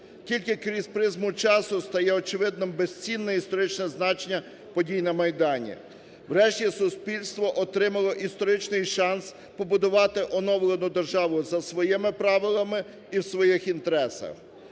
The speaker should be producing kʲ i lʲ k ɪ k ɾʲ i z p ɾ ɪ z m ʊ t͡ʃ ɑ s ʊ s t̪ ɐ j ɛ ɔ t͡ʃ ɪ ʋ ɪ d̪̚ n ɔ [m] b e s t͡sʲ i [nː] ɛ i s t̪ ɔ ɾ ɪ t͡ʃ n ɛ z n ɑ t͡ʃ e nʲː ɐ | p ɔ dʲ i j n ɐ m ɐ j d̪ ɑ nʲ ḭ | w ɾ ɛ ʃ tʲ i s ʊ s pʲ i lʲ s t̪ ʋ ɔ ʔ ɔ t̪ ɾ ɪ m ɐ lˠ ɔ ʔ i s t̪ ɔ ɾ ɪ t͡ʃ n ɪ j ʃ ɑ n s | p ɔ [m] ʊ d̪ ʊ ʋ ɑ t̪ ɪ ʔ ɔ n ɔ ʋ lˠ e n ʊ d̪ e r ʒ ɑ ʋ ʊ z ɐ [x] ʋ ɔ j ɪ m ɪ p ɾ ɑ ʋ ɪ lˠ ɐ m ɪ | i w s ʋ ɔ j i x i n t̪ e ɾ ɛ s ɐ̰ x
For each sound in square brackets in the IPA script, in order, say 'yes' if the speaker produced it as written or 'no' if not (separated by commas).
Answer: yes, yes, no, no